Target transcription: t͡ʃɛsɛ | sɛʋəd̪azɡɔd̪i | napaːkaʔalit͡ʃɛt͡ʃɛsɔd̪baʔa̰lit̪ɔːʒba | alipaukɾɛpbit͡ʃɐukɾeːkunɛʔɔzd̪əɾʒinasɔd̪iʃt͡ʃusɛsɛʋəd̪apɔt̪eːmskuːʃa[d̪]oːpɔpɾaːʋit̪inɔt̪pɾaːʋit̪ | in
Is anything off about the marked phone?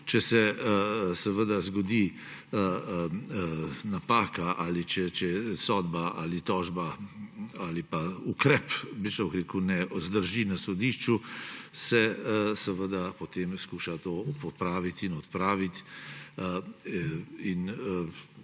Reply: yes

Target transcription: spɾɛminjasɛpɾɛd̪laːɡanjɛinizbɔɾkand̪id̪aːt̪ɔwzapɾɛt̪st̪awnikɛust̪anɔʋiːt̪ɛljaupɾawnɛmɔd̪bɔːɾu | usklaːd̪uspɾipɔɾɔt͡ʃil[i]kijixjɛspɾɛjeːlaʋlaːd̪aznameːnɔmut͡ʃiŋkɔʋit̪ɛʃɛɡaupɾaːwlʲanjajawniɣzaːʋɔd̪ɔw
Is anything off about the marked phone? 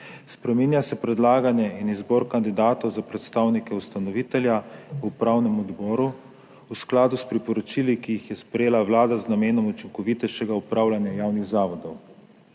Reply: no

